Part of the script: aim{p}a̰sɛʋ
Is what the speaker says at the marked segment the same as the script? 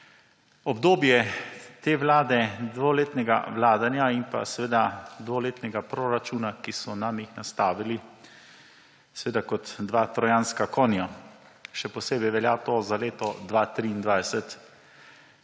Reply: yes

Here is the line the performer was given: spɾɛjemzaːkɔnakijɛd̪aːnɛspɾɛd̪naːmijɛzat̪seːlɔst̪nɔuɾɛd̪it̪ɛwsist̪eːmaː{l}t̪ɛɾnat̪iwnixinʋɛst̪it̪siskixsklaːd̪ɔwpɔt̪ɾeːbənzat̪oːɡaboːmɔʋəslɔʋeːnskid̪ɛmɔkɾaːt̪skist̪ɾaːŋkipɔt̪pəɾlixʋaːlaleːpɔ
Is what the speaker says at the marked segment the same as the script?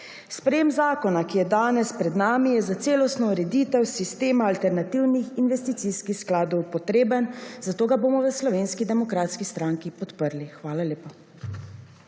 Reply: yes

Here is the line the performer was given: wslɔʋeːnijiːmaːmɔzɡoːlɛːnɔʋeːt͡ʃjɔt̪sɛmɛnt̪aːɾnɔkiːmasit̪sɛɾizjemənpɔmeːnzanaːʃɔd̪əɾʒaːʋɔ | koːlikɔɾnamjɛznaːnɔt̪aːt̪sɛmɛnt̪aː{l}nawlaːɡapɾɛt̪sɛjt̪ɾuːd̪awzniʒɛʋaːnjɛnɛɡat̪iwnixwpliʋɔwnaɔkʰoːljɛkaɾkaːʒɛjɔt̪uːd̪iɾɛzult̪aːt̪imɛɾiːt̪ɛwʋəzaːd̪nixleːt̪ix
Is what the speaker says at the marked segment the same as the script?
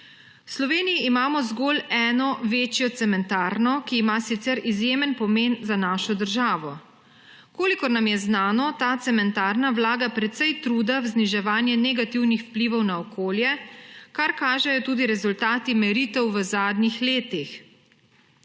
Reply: no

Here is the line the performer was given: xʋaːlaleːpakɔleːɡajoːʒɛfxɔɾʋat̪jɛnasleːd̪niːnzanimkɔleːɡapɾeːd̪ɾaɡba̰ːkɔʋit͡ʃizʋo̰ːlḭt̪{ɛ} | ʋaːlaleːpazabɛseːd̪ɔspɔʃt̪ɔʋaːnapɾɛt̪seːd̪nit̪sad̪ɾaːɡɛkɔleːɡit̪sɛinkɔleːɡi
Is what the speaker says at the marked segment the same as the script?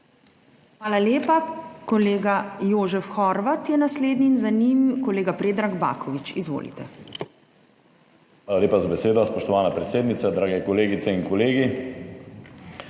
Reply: yes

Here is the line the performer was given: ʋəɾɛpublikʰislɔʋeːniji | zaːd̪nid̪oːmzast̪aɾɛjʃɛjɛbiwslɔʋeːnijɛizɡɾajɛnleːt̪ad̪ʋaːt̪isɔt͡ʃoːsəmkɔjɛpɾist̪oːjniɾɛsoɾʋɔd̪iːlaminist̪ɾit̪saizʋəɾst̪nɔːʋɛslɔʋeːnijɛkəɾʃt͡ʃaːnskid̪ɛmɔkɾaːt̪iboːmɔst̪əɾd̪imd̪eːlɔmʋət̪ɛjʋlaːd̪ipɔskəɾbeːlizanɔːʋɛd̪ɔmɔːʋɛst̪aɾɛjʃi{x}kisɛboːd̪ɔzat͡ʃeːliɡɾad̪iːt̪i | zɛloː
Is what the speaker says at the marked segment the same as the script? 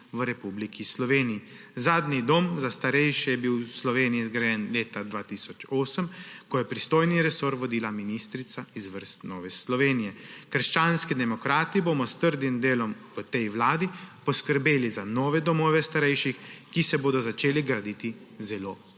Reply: yes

